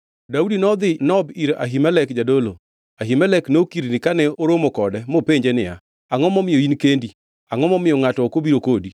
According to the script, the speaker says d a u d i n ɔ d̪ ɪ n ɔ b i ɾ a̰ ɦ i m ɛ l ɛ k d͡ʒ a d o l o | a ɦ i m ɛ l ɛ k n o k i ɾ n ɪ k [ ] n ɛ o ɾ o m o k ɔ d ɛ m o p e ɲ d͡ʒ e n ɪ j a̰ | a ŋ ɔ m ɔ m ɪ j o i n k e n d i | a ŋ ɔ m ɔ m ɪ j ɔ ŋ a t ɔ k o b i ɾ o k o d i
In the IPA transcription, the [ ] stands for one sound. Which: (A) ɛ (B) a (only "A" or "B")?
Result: B